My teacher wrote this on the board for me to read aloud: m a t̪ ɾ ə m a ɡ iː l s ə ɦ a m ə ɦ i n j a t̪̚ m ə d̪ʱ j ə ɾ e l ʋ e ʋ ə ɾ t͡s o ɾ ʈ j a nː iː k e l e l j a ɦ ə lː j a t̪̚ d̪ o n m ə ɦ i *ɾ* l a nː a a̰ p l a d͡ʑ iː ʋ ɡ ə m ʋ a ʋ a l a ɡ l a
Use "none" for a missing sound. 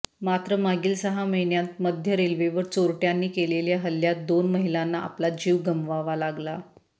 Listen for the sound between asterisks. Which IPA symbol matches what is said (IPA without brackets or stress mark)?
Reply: none